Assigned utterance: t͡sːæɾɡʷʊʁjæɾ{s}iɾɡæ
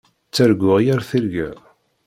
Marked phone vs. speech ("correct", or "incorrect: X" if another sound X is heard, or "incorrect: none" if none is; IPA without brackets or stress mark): incorrect: θ